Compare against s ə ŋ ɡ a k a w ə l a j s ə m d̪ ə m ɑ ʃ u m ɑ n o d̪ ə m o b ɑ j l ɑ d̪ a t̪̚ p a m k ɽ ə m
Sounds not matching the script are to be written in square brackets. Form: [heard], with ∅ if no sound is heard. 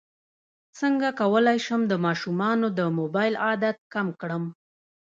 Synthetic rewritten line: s ə ŋ ɡ a k a w ə l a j [ʃ] ə m d̪ ə m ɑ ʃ u m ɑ n o d̪ ə m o b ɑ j l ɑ d̪ a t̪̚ [k] a m k ɽ ə m